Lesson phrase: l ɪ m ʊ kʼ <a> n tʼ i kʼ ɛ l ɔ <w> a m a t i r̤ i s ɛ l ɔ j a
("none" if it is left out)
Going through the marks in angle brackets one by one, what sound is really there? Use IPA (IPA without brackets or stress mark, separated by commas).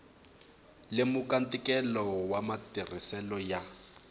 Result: a, w